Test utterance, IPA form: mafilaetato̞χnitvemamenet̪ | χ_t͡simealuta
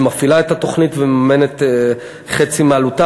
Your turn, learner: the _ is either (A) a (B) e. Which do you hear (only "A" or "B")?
B